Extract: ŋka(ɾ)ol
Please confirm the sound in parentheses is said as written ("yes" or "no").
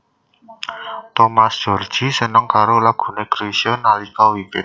yes